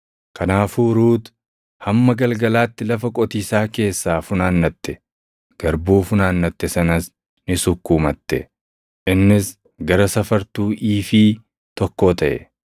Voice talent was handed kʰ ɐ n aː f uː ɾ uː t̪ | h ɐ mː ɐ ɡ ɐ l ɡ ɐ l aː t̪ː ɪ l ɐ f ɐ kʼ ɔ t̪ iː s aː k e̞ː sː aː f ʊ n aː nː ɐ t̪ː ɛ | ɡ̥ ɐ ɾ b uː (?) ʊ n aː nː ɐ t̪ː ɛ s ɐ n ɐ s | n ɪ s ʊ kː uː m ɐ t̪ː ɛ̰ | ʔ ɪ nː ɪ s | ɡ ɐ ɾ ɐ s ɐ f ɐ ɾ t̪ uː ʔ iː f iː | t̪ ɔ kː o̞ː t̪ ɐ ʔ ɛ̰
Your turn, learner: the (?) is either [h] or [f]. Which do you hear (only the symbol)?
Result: f